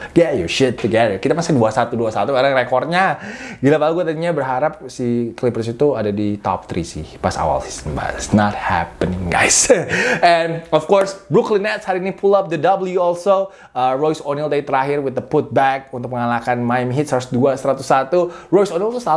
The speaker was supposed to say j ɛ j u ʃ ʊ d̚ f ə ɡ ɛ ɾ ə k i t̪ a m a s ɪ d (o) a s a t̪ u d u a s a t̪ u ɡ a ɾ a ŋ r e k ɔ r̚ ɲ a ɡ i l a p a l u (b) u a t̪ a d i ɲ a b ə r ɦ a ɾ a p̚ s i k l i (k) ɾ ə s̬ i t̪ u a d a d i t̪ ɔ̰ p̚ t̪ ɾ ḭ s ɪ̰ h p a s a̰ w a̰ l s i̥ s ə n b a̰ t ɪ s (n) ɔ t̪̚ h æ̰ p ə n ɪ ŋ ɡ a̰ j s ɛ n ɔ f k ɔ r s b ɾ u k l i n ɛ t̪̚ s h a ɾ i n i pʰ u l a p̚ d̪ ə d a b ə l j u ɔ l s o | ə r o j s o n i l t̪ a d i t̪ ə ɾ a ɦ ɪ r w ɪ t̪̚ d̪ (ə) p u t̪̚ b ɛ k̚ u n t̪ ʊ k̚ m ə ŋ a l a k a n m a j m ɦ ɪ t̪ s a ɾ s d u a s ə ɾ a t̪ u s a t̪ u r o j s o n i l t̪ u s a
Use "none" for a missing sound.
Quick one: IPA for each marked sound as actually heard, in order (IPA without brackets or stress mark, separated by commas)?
u, ɡ, p, n, ə